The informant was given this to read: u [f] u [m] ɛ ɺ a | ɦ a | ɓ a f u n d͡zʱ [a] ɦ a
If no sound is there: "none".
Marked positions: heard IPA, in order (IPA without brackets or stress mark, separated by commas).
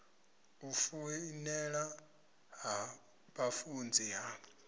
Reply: f, n, i